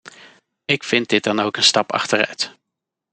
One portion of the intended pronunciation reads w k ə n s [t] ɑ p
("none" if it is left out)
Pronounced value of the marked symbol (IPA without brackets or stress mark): t